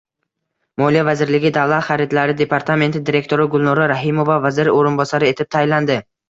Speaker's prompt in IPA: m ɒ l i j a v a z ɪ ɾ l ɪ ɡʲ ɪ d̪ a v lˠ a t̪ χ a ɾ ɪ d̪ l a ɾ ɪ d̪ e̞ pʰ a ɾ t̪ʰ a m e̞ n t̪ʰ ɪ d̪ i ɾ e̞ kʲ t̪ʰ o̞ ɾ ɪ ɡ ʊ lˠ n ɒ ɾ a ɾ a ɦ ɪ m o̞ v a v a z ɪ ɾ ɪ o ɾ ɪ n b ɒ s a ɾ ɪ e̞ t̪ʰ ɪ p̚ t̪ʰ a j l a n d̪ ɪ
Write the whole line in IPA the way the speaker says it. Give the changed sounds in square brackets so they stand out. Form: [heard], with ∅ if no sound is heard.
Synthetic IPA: m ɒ l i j a v a z ɪ ɾ l ɪ ɡʲ ɪ d̪ a v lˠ a t̪ χ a ɾ ɪ d̪ l a ɾ ɪ d̪ e̞ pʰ a ɾ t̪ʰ a m e̞ n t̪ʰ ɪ d̪ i ɾ e̞ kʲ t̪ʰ o̞ ɾ ɪ ɡ ʊ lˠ n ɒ ɾ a ɾ a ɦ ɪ m o̞ v a v a z ɪ ɾ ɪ o ɾ ɪ n b ɒ s a ɾ ɪ e̞ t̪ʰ ɪ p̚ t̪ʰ a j l a n d̪ ɪ